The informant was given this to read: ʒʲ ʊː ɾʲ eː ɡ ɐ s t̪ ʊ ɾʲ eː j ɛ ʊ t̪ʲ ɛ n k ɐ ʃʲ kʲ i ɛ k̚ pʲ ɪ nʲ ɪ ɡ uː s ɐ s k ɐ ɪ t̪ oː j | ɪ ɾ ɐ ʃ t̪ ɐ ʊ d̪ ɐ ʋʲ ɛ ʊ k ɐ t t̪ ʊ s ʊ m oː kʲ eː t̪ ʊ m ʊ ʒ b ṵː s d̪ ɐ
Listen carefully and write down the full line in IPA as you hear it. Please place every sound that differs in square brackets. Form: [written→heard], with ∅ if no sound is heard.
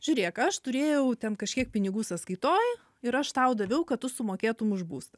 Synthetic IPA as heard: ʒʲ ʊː ɾʲ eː [ɡ→k] ɐ [s→ʃ] t̪ ʊ ɾʲ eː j ɛ ʊ t̪ʲ ɛ n k ɐ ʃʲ kʲ i ɛ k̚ pʲ ɪ nʲ ɪ ɡ uː s ɐ s k ɐ ɪ t̪ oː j | ɪ ɾ ɐ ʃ t̪ ɐ ʊ d̪ ɐ ʋʲ ɛ ʊ k ɐ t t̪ ʊ s ʊ m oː kʲ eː t̪ ʊ m ʊ ʒ b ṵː s [d̪→t̪] ɐ

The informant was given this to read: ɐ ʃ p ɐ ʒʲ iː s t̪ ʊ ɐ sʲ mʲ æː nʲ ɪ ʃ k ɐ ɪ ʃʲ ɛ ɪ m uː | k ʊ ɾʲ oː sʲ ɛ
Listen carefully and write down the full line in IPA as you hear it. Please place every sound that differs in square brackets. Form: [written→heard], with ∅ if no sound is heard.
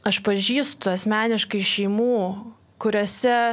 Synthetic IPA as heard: ɐ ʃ p ɐ ʒʲ iː s t̪ ʊ ɐ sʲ mʲ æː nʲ ɪ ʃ k ɐ ɪ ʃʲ ɛ ɪ m uː | k ʊ ɾʲ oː sʲ ɛ

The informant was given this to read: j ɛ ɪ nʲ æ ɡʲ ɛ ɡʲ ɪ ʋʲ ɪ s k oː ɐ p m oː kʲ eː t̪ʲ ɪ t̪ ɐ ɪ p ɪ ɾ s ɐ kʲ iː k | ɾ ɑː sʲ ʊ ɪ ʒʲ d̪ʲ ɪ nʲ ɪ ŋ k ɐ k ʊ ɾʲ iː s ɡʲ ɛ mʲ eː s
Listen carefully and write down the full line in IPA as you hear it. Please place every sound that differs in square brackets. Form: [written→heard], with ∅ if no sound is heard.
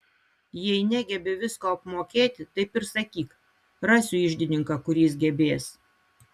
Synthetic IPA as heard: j ɛ ɪ nʲ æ ɡʲ ɛ [ɡʲ→bʲ] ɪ ʋʲ ɪ s k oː ɐ p m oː kʲ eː t̪ʲ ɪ t̪ ɐ ɪ p ɪ ɾ s ɐ kʲ iː k | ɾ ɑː sʲ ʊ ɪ ʒʲ d̪ʲ ɪ nʲ ɪ ŋ k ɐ k ʊ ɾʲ iː s ɡʲ ɛ [mʲ→bʲ] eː s

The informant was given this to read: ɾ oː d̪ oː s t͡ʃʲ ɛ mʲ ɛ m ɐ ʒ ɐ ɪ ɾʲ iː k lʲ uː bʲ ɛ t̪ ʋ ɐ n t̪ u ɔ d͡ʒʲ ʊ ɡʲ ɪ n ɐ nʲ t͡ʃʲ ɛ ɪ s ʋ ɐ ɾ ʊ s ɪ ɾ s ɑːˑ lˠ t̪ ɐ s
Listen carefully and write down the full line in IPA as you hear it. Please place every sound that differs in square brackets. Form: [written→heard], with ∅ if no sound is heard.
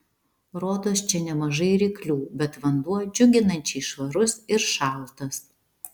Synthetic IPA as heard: ɾ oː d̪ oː s t͡ʃʲ ɛ [mʲ→nʲ] ɛ m ɐ ʒ ɐ ɪ ɾʲ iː k lʲ uː bʲ ɛ t̪ ʋ ɐ n [t̪→d̪] u ɔ d͡ʒʲ ʊ ɡʲ ɪ n ɐ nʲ t͡ʃʲ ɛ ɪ [s→ʃ] ʋ ɐ ɾ ʊ s ɪ ɾ [s→ʃ] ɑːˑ lˠ t̪ ɐ s

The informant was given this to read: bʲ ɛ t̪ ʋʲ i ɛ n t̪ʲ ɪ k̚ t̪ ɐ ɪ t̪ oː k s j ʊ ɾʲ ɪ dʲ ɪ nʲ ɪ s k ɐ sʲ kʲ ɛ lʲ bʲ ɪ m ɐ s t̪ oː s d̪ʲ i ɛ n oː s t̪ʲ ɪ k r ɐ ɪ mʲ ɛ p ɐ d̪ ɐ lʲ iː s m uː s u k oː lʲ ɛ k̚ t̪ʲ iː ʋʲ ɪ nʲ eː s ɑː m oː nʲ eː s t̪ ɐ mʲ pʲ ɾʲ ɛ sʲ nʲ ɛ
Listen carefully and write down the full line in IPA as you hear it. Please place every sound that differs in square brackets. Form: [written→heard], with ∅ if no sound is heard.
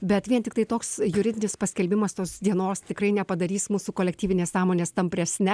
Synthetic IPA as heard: bʲ ɛ t̪ ʋʲ i ɛ n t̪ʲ ɪ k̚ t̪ ɐ ɪ t̪ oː k s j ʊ ɾʲ ɪ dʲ ɪ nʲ ɪ s [k→p] ɐ sʲ kʲ ɛ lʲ bʲ ɪ m ɐ s t̪ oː s d̪ʲ i ɛ n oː s t̪ʲ ɪ k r ɐ ɪ [mʲ→nʲ] ɛ p ɐ d̪ ɐ [lʲ→ɾʲ] iː s m uː s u k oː lʲ ɛ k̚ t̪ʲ iː ʋʲ ɪ nʲ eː s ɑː m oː nʲ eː s t̪ ɐ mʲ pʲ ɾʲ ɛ sʲ nʲ ɛ

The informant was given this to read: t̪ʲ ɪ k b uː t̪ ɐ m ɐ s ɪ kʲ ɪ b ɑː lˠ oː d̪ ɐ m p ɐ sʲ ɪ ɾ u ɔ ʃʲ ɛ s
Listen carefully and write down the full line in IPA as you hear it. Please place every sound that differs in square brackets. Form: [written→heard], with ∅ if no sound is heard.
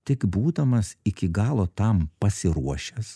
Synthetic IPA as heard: t̪ʲ ɪ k b uː [t̪→d̪] ɐ m ɐ s ɪ kʲ ɪ [b→ɡ] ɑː lˠ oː [d̪→t̪] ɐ m p ɐ sʲ ɪ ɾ u ɔ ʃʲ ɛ s

